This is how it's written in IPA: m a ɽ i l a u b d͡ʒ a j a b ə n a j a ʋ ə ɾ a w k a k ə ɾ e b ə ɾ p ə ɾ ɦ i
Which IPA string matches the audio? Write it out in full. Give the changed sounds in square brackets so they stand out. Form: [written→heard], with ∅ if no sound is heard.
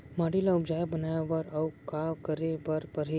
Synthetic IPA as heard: m a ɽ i l a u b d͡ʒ a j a b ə n a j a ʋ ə ɾ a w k a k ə ɾ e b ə ɾ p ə ɾ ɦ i